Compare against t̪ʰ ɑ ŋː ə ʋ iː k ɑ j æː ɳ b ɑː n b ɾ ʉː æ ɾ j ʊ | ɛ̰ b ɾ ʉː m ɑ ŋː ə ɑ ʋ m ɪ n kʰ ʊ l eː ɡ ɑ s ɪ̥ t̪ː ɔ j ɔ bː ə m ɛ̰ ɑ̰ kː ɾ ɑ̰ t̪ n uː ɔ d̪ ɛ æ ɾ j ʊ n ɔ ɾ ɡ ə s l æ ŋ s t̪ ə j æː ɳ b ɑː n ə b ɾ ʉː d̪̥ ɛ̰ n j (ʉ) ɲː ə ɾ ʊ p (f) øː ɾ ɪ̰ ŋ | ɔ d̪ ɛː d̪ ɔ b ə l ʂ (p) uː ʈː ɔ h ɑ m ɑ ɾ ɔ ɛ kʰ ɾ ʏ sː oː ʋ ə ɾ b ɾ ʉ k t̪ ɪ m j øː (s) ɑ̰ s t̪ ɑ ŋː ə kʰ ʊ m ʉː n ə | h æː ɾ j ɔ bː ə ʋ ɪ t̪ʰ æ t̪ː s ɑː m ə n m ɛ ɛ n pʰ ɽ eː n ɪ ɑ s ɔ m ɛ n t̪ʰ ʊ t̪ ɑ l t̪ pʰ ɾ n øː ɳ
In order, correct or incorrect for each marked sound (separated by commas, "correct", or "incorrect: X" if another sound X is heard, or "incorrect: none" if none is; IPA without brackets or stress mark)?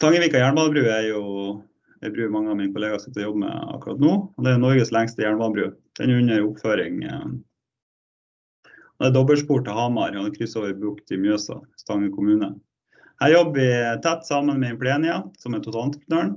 correct, correct, correct, correct